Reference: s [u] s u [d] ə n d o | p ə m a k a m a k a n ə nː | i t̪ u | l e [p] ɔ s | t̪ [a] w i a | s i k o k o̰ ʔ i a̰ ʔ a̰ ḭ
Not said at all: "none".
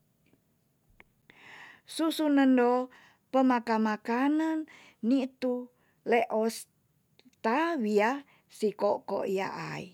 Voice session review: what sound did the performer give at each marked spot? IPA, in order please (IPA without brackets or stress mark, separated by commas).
u, n, ʔ, a